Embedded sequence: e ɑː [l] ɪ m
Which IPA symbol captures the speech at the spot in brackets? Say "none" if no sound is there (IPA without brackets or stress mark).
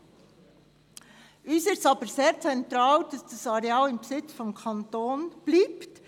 l